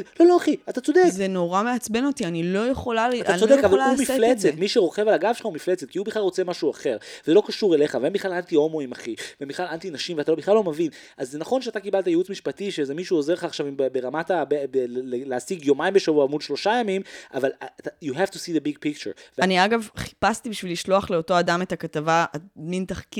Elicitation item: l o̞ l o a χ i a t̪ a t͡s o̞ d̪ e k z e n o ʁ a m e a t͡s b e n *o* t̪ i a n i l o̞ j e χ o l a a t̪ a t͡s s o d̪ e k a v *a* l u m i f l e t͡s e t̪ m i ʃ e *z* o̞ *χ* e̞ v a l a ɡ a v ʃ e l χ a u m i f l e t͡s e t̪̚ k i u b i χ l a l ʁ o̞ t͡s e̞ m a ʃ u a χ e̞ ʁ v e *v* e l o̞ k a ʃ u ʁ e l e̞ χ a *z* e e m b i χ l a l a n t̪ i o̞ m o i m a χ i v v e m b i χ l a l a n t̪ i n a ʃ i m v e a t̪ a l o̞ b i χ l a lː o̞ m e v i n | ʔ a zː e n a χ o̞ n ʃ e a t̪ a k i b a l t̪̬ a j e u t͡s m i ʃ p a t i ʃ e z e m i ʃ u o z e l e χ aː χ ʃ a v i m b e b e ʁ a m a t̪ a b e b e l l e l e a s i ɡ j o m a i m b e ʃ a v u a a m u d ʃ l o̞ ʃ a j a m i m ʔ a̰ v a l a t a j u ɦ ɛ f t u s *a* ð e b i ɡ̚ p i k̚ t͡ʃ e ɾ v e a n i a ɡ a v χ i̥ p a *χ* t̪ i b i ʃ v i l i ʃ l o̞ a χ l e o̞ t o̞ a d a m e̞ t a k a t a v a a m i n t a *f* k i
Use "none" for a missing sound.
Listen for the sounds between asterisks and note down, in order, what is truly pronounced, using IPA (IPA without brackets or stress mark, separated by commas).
o, a, ʁ, χ, z, v, i, s, χ